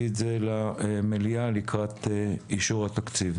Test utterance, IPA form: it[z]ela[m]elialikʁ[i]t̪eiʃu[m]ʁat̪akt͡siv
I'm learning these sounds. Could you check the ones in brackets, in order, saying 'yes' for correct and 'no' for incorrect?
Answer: yes, yes, no, no

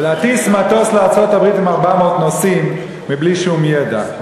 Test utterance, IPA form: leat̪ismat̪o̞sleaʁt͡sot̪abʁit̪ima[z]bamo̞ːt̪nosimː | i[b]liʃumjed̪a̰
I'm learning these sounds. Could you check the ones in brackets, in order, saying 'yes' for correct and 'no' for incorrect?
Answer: no, yes

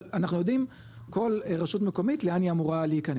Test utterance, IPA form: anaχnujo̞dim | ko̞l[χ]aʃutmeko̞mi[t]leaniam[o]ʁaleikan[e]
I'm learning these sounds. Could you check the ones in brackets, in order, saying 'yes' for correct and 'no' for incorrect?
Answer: no, yes, no, yes

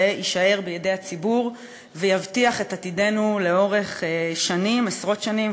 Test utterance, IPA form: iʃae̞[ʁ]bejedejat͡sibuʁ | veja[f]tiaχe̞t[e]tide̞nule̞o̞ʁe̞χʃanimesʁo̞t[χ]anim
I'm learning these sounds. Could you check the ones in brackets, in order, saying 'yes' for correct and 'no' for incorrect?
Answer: yes, no, no, no

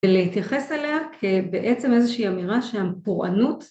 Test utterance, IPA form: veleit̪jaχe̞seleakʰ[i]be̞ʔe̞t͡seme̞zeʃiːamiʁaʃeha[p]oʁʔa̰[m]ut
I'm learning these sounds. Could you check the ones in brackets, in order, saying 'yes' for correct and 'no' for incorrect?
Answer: no, yes, no

